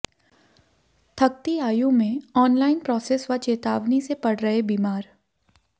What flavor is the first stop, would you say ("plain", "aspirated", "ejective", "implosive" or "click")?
aspirated